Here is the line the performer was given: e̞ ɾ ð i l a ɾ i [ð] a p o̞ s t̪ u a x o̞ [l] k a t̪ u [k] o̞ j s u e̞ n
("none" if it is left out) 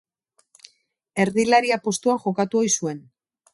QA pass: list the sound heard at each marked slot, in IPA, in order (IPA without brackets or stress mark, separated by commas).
none, none, none